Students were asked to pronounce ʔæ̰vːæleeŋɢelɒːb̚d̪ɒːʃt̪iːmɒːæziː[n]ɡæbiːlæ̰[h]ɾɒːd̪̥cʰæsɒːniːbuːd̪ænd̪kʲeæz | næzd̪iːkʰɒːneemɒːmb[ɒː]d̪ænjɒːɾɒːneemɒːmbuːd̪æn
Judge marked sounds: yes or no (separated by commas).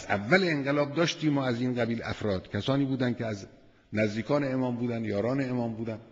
yes, no, no